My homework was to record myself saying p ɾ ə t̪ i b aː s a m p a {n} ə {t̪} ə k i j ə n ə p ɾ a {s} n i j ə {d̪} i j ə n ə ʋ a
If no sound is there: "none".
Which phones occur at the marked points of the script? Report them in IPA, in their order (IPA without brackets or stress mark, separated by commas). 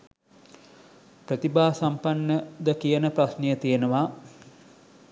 nː, d̪, s, t̪